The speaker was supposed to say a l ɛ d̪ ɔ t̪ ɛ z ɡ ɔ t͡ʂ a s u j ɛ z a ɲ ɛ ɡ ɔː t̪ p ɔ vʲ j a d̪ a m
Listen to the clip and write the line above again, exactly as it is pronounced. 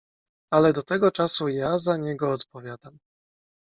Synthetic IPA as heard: a l ɛ d̪ ɔ t̪ ɛ ɡ ɔ t͡ʂ a s u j a z a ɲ ɛ ɡ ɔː t̪ p ɔ vʲ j a d̪ a m